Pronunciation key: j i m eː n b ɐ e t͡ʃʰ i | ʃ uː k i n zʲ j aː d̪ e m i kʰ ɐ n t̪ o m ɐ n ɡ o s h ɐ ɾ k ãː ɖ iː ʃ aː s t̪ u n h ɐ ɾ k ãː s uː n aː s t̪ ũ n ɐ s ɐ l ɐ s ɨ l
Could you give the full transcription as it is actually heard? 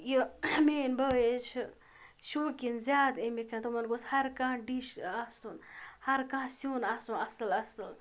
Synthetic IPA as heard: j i m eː n b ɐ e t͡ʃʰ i | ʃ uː k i n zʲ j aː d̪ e m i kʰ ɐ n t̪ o m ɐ n ɡ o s h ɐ ɾ k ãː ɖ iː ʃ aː s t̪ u n h ɐ ɾ k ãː s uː n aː s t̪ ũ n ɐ s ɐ l ɐ s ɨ l

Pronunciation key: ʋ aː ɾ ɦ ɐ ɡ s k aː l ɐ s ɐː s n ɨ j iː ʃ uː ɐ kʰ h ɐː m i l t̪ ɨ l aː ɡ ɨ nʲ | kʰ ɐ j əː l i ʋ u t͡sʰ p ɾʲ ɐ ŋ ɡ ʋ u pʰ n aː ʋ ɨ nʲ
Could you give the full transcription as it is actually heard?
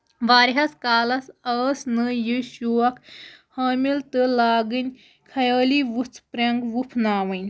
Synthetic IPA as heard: ʋ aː ɾ ɦ ɐ s k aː l ɐ s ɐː s n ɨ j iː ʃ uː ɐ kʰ h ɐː m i l t̪ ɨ l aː ɡ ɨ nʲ | kʰ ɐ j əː l i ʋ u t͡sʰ p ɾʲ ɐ ŋ ɡ ʋ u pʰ n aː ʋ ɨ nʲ

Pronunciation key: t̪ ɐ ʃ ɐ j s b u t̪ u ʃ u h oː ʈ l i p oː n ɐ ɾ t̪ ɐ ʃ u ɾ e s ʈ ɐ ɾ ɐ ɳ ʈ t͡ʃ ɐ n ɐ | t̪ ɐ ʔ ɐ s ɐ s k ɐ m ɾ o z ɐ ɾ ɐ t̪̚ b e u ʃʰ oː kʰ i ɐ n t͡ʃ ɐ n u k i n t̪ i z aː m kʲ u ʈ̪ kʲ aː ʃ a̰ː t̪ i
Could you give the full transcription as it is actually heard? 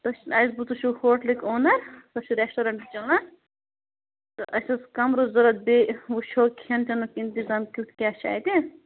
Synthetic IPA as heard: t̪ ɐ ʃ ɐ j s b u t̪ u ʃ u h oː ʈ l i k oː n ɐ ɾ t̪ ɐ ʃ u ɾ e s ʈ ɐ ɾ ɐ ɳ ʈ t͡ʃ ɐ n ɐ | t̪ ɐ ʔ ɐ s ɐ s k ɐ m ɾ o z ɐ ɾ ɐ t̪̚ b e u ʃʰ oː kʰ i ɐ n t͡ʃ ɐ n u k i n t̪ i z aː m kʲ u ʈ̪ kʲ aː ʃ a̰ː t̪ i

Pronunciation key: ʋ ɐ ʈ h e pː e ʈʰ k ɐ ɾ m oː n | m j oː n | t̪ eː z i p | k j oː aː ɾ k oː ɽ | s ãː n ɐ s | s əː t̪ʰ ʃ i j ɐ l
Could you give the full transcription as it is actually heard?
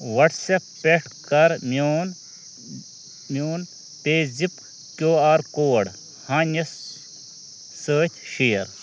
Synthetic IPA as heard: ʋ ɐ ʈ s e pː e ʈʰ k ɐ ɾ m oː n | m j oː n | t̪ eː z i p | k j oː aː ɾ k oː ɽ | h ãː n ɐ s | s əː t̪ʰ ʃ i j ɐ ɾ

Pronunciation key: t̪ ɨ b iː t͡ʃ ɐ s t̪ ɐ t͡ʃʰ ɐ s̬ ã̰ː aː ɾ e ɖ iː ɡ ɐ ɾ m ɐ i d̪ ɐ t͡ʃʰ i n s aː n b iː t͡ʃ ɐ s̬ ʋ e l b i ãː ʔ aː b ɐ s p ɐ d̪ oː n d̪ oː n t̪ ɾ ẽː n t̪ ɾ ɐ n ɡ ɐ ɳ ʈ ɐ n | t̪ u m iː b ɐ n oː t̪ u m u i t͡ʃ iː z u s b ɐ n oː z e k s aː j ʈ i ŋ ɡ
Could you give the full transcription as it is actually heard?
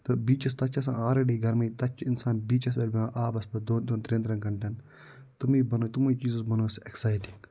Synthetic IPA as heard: t̪ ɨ b iː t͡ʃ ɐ s t̪ ɐ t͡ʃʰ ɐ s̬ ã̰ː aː ɾ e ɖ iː ɡ ɐ ɾ m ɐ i t̪ ɐ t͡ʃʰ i n s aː n b iː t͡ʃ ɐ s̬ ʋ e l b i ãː ʔ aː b ɐ s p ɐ d̪ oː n d̪ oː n t̪ ɾ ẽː n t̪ ɾ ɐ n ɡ ɐ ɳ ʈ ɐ n | t̪ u m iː b ɐ n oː t̪ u m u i t͡ʃ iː z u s b ɐ n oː s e k s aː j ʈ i ŋ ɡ

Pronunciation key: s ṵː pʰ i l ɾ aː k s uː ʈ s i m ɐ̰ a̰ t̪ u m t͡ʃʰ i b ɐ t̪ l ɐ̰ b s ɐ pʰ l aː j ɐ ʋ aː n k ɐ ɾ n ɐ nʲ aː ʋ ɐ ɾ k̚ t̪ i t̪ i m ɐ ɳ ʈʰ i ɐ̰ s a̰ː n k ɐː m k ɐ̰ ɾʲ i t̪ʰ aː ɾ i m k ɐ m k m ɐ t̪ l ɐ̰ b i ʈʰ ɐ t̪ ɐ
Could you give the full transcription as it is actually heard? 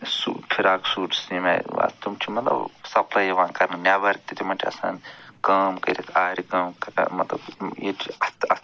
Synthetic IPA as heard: s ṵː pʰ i ɾ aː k s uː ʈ s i m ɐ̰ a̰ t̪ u m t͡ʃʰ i m ɐ t̪ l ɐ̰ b s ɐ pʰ l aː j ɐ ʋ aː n k ɐ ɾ n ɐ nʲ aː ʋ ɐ ɾ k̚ t̪ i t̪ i m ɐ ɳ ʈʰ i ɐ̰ s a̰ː n k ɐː m k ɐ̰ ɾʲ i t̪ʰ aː ɾ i k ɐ m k m ɐ t̪ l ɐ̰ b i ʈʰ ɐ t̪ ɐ

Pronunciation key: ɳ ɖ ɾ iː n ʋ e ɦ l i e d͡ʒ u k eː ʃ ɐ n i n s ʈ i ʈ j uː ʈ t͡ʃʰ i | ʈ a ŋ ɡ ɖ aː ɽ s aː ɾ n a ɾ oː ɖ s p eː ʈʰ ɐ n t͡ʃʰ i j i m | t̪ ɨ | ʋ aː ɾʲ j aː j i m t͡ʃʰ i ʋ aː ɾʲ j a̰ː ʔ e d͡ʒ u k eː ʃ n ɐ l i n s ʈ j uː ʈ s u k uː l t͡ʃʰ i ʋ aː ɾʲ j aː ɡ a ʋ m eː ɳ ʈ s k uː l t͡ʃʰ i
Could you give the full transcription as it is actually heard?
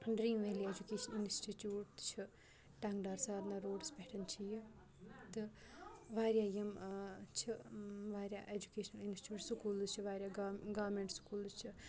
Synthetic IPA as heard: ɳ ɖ ɾ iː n ʋ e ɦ l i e d͡ʒ u k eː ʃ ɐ n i n s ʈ i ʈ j uː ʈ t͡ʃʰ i | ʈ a ŋ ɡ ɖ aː ɾ s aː ɾ n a ɾ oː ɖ s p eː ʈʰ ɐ n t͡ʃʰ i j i | t̪ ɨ | ʋ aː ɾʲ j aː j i m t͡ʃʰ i ʋ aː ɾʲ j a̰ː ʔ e d͡ʒ u k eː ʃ n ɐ l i n s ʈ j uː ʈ s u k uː l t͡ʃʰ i ʋ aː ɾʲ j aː ɡ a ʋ m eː ɳ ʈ s k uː l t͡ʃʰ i

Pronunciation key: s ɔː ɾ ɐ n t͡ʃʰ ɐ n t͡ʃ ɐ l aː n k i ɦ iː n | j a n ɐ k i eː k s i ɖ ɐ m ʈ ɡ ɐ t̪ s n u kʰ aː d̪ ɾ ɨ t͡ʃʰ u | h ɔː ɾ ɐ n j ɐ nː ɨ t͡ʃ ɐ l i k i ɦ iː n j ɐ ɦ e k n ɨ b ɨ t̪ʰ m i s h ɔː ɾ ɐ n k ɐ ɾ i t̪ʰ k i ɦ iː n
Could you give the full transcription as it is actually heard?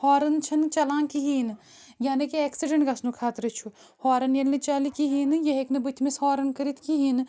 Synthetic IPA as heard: h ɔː ɾ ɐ n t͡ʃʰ ɐ n t͡ʃ ɐ l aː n k i ɦ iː n | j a n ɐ k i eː k s i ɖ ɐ ɳ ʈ ɡ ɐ s n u kʰ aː t̪ ɾ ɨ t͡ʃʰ u | h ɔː ɾ ɐ n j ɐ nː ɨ t͡ʃ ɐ l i k i ɦ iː n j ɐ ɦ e k n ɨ b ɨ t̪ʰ m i s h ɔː ɾ ɐ n k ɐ ɾ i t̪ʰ k i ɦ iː n

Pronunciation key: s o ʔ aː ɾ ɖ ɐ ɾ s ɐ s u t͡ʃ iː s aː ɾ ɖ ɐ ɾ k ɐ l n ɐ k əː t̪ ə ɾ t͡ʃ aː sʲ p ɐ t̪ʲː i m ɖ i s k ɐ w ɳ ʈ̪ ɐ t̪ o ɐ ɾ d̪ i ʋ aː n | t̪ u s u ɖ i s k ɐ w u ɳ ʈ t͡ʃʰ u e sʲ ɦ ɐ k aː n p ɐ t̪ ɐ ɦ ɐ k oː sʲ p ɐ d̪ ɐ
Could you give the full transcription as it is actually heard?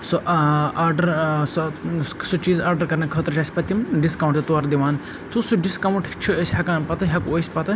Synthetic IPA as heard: s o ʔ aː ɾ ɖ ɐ ɾ s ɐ s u t͡ʃ iː z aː ɾ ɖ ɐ ɾ k ɐ ɾ n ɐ kʰ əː t̪ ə ɾ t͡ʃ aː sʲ p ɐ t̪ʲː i m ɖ i s k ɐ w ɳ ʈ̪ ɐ t̪ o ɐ ɾ d̪ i ʋ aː n | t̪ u s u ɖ i s k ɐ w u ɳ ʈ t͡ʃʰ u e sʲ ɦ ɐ k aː n p ɐ t̪ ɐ ɦ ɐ k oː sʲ p ɐ t̪ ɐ

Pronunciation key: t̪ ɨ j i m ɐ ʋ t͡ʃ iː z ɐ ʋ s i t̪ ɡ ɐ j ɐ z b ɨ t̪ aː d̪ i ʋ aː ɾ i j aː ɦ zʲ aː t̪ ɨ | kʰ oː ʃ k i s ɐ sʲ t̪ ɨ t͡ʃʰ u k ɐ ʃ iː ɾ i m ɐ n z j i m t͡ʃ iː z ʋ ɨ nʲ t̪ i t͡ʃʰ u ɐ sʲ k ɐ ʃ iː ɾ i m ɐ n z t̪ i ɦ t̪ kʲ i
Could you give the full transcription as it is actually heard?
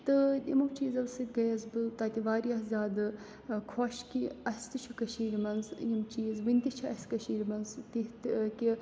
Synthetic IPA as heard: t̪ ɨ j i m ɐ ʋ t͡ʃ iː z ɐ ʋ s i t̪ ɡ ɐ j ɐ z b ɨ t̪ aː t̪ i ʋ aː ɾ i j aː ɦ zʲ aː d̪ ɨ | kʰ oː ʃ k i ɐ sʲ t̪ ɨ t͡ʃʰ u k ɐ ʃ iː ɾ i m ɐ n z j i m t͡ʃ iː z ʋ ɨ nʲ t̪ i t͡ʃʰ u ɐ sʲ k ɐ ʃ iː ɾ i m ɐ n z t̪ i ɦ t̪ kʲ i

